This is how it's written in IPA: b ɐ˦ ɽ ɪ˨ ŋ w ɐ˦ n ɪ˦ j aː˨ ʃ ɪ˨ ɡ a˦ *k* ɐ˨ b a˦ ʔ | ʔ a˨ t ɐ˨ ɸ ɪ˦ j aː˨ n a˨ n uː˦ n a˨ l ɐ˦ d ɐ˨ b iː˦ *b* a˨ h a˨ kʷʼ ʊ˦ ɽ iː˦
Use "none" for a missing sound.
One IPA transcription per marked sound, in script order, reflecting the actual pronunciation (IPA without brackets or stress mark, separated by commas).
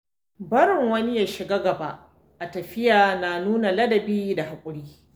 ɡ, d